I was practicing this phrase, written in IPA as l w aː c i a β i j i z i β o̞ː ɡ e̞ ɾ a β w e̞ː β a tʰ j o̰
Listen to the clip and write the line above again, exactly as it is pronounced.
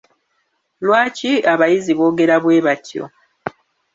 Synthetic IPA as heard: l w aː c i a β a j i z i β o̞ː ɡ e̞ ɾ a β w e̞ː β a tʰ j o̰